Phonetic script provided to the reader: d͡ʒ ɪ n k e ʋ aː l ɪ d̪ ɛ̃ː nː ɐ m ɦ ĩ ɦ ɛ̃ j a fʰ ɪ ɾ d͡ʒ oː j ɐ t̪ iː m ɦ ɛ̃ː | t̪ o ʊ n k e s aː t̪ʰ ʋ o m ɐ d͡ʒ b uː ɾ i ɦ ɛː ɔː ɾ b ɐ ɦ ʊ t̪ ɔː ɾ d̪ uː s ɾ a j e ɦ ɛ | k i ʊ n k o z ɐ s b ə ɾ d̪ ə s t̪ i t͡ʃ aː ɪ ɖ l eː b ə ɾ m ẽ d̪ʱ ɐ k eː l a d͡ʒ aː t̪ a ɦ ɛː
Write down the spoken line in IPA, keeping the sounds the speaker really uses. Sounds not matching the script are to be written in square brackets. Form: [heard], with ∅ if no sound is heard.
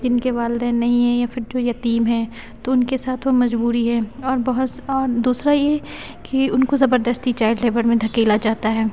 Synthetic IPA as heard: d͡ʒ ɪ n k e ʋ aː l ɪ d̪ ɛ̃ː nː ɐ [∅] ɦ ĩ ɦ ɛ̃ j a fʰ ɪ ɾ d͡ʒ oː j ɐ t̪ iː m ɦ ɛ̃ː | t̪ o ʊ n k e s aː t̪ʰ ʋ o m ɐ d͡ʒ b uː ɾ i ɦ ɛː ɔː ɾ b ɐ ɦ ʊ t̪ ɔː ɾ d̪ uː s ɾ a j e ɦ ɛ | k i ʊ n k o z ɐ [∅] b ə ɾ d̪ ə s t̪ i t͡ʃ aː ɪ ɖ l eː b ə ɾ m ẽ d̪ʱ ɐ k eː l a d͡ʒ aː t̪ a ɦ ɛː